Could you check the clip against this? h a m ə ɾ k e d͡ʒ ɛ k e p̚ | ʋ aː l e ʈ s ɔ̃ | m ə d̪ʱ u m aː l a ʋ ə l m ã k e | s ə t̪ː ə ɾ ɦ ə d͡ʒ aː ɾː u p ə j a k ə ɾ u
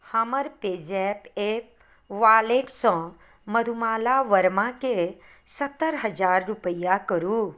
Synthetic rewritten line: h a m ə ɾ p e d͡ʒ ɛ p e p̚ | ʋ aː l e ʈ s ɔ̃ | m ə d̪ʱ u m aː l a ʋ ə ɾ m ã k e | s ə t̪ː ə ɾ ɦ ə d͡ʒ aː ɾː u p ə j a k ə ɾ u